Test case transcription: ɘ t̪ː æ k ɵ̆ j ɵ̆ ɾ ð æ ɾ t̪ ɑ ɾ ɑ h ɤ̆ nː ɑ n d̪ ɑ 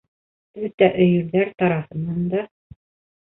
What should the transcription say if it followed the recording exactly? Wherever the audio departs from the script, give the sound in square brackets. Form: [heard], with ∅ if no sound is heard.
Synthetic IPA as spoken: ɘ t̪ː æ [ʔ] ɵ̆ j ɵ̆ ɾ ð æ ɾ t̪ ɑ ɾ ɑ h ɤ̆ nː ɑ n d̪ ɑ